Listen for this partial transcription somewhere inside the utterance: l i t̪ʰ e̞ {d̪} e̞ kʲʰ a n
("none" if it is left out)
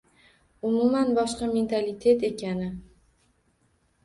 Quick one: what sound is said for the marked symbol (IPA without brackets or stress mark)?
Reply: t̪